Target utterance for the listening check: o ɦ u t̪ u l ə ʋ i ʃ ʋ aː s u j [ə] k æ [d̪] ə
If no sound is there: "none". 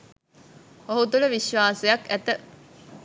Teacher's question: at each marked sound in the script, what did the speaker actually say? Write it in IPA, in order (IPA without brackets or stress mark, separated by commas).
ɐ, t̪